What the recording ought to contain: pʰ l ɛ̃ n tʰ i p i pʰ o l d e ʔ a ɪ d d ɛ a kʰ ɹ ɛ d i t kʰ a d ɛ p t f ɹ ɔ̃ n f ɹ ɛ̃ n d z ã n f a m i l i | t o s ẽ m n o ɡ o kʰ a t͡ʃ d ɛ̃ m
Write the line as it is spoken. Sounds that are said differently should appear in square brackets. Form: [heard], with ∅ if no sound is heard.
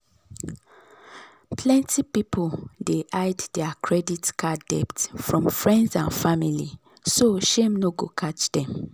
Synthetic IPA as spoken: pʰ l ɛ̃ n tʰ i p i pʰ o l d e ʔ a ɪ d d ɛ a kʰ ɹ ɛ d i t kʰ a d ɛ p t f ɹ ɔ̃ [m] f ɹ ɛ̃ n d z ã n f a m i l i | [s] o [ʃ] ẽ m n o ɡ o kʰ a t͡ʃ d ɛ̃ m

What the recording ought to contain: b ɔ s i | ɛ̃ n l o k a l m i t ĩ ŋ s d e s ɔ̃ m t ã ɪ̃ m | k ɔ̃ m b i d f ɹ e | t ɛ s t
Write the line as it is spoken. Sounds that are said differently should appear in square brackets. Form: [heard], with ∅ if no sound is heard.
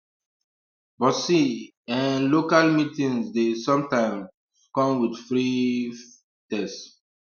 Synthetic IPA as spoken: b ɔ s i | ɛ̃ n l o k a l m i t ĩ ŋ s d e s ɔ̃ m t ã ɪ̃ m | k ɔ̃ m [w] i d f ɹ [i] | t ɛ s t

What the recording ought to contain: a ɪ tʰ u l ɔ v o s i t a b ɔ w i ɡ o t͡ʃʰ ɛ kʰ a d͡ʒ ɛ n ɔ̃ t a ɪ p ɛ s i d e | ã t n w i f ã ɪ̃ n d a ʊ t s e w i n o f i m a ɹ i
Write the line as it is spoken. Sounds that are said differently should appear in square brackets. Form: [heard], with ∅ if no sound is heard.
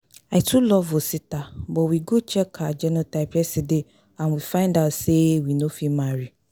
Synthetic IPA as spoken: a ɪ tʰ u l ɔ v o s i t a b ɔ w i ɡ o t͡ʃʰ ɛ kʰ a d͡ʒ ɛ n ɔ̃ t a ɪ p ɛ s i d e | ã [∅] n w i f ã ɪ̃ n d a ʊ t s e w i n o f i m a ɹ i

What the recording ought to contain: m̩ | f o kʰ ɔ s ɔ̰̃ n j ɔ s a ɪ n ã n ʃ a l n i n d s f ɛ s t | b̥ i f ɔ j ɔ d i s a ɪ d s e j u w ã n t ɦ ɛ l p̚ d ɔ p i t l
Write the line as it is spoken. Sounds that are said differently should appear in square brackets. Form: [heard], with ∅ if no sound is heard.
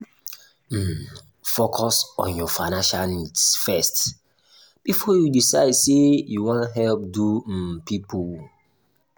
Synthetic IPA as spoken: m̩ | f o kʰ ɔ s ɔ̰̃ n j ɔ [f] a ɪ n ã n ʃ a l n i [∅] d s f ɛ s t | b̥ i f ɔ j [u] d i s a ɪ d s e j u w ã n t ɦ ɛ l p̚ d [u] p i [p] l

